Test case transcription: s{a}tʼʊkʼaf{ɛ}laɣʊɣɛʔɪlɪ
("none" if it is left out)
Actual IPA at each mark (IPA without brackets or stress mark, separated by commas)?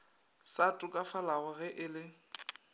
a, a